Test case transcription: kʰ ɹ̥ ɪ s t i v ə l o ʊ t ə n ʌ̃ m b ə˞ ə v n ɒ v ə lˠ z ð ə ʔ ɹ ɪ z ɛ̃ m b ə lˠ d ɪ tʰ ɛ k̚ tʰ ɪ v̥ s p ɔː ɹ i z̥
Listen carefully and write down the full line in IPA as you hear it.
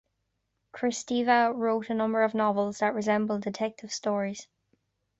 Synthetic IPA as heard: kʰ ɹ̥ ɪ s t i v ə ɹ o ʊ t ə n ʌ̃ m b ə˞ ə v n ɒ v ə lˠ z ð ə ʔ ɹ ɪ z ɛ̃ m b ə lˠ d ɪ tʰ ɛ k̚ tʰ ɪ v̥ s t ɔː ɹ i z̥